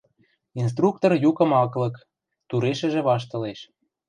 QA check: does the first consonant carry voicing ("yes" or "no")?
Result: yes